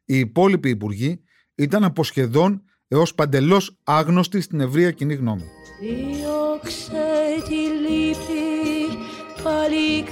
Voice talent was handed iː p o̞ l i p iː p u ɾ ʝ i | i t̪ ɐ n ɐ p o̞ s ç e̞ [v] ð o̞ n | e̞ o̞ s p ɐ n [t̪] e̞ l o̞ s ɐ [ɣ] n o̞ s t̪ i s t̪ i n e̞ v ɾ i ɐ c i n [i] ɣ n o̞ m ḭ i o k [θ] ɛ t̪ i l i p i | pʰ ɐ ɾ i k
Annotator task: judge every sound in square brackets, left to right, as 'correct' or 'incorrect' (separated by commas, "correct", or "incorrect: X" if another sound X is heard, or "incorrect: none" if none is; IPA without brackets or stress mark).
incorrect: none, incorrect: d̪, correct, correct, incorrect: s